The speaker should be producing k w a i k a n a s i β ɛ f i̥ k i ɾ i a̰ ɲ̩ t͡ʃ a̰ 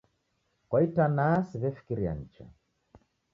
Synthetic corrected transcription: k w a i t a n a s i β ɛ f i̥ k i ɾ i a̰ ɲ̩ t͡ʃ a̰